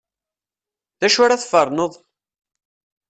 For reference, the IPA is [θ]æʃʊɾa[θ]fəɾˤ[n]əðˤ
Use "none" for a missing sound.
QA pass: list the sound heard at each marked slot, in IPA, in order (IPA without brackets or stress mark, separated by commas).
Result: ð, θ, n